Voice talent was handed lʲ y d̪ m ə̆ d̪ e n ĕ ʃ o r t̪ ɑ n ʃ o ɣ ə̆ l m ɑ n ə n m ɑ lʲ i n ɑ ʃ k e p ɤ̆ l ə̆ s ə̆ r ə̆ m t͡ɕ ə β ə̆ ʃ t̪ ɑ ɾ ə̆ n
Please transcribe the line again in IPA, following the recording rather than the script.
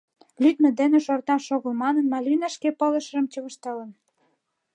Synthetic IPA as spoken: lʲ y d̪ m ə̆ d̪ e n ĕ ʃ o r t̪ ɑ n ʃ o ɣ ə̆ l m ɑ n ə n m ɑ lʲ i n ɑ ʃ k e p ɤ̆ l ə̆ ʃ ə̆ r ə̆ m t͡ɕ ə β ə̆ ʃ t̪ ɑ l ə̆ n